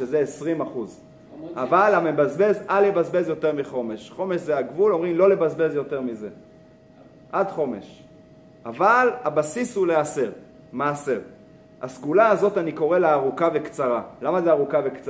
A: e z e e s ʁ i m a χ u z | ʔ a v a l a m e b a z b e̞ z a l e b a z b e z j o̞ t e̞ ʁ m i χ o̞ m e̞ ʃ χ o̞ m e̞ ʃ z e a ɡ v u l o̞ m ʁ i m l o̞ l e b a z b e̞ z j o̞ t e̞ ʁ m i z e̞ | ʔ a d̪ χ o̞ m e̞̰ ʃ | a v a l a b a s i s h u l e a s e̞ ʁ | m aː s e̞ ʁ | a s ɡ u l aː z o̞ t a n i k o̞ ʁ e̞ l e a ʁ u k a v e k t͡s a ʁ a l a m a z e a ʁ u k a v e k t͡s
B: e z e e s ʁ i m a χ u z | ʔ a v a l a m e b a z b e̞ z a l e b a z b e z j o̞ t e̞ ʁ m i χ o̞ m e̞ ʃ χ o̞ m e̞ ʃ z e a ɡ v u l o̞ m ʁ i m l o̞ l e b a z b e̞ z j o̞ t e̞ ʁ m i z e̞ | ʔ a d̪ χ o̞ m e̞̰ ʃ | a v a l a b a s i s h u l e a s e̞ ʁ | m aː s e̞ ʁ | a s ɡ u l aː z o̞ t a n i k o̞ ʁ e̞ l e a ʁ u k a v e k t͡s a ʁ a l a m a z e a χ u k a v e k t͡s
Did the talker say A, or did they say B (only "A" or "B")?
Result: A